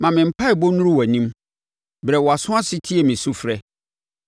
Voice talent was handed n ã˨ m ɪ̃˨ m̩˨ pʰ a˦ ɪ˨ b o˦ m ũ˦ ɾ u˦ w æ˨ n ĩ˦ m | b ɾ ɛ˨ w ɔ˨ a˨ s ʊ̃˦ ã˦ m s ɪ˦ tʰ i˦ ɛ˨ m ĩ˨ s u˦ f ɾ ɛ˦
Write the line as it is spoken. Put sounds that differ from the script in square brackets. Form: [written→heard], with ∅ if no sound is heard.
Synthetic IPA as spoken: [n→m] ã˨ m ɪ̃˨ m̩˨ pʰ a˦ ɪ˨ b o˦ [m→n] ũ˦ ɾ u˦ w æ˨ n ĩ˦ m | b ɾ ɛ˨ w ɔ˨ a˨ s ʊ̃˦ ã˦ [m→∅] s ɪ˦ tʰ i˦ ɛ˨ m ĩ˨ s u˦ f ɾ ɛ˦

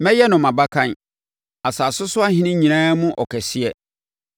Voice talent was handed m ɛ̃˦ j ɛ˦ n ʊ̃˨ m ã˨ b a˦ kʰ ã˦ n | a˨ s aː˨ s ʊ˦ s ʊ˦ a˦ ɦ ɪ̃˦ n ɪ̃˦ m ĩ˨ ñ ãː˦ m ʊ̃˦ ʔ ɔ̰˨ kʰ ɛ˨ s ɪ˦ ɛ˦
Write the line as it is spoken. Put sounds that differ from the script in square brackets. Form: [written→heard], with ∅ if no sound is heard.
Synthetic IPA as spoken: m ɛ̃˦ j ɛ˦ n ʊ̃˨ m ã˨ b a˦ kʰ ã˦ n | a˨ s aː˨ s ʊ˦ s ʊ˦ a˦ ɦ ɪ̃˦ n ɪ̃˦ [m→ɲ] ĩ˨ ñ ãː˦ m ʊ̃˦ ʔ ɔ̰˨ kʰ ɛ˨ s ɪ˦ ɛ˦

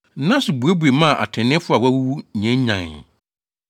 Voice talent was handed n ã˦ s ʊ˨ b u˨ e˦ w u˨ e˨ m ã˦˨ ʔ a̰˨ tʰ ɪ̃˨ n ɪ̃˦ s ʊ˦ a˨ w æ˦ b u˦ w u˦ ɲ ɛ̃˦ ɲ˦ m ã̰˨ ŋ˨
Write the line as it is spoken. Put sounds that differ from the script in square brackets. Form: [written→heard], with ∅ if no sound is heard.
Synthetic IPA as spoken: n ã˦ s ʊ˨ b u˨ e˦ [w→b] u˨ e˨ m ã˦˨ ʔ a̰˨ tʰ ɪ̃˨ n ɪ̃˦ [s→f] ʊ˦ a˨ w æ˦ [b→w] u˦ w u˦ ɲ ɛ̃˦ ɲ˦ [m→ɲ] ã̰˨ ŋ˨

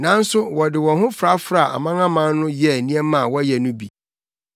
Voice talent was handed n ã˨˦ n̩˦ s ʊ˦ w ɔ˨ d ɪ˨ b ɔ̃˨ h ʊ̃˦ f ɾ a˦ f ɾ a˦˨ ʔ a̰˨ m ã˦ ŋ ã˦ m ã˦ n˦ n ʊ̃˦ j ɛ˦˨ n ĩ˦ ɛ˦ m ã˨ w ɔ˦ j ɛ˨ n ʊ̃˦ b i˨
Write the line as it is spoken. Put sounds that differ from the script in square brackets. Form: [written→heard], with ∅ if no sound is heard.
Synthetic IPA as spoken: n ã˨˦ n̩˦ s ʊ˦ w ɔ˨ d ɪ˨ [b→w] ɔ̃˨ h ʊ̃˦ f ɾ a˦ f ɾ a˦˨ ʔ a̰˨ m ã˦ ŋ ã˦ m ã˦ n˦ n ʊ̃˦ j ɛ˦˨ n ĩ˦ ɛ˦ m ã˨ w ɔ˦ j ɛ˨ n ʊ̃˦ b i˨

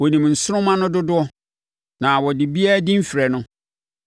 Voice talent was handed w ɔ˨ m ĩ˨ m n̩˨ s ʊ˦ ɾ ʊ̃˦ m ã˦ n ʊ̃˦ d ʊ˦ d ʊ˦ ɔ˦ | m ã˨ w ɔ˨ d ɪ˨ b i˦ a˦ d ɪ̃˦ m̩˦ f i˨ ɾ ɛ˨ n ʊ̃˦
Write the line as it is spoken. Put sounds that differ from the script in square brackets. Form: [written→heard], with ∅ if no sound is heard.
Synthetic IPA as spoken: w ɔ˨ [m→n] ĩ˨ m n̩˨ s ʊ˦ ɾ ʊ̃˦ m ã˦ n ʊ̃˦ d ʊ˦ d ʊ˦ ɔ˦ | [m→n] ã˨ w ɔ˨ d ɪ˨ b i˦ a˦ d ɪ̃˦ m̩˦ f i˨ ɾ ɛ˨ n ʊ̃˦

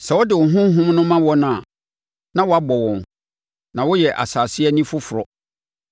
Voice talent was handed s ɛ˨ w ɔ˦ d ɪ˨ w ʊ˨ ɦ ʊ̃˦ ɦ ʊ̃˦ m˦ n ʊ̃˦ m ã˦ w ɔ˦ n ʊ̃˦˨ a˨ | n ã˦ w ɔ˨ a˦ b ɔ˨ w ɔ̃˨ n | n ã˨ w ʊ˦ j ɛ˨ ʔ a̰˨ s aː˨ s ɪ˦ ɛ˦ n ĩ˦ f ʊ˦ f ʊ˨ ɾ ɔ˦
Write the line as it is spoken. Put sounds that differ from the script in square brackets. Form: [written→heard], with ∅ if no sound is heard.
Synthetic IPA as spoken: s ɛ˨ w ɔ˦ d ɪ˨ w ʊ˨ ɦ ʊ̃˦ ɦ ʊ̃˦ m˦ n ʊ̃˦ m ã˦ w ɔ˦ n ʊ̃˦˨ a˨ | n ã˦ w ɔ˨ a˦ b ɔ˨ w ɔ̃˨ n | n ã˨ w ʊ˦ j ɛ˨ ʔ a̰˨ s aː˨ s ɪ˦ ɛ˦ n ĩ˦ f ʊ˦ f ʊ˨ ɾ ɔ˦

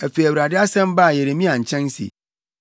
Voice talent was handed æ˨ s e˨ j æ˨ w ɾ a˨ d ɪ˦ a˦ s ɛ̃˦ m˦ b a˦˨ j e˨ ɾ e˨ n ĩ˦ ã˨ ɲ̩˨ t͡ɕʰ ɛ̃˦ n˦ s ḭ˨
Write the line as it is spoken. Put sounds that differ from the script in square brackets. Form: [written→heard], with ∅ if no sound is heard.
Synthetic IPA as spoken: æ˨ [s→f] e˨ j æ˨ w ɾ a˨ d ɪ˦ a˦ s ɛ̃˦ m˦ b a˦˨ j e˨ ɾ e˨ [n→m] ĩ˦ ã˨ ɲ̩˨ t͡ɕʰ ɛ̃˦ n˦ s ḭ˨

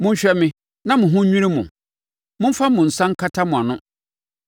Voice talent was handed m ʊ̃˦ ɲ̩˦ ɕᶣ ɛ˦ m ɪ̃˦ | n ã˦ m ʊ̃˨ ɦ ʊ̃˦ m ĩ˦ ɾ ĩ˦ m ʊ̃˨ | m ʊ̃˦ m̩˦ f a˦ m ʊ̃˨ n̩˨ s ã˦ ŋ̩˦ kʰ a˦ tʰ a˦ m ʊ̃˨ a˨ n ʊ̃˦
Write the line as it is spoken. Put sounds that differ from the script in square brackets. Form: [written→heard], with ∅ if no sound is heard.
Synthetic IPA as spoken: m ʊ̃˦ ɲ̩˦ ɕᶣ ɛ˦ m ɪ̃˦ | n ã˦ m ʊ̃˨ ɦ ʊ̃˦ [m→ɲ] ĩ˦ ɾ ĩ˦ m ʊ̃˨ | m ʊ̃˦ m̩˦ f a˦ m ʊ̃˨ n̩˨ s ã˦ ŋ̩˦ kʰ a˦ tʰ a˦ m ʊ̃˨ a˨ n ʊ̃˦

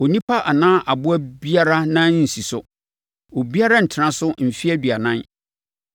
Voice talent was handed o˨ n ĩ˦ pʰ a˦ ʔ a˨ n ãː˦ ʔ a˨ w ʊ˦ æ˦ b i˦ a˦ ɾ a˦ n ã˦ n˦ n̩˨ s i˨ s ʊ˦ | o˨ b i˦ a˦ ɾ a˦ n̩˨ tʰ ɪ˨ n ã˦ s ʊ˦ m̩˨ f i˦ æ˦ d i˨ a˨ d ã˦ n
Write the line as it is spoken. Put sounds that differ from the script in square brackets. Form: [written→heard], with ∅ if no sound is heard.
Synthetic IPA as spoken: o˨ n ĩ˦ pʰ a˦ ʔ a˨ n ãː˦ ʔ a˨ [w→b] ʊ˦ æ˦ b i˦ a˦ ɾ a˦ n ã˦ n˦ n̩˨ s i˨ s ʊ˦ | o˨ b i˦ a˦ ɾ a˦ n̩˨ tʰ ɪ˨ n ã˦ s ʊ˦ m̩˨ f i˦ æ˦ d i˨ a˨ [d→n] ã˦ n

